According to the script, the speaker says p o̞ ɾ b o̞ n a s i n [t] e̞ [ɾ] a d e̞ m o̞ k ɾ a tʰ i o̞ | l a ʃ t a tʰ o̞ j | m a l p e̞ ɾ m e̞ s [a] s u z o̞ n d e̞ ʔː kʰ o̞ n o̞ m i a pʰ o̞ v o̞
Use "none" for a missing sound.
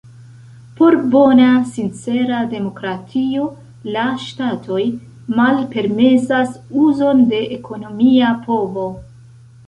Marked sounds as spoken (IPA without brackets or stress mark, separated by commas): t͡s, ɾ, a